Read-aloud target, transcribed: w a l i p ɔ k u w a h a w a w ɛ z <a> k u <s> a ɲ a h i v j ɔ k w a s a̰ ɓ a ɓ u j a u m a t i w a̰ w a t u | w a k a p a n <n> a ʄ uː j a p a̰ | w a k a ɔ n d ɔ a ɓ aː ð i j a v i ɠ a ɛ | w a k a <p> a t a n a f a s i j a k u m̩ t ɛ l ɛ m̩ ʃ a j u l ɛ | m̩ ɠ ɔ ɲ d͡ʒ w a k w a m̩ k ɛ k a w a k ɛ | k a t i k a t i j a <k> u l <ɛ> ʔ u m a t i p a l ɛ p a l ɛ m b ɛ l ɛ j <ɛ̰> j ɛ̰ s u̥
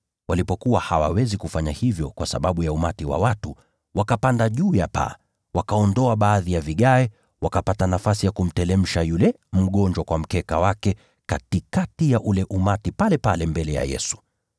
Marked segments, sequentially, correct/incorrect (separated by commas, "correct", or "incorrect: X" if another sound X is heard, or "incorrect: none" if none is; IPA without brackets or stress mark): incorrect: i, incorrect: f, incorrect: d, correct, incorrect: ʔ, correct, incorrect: a̰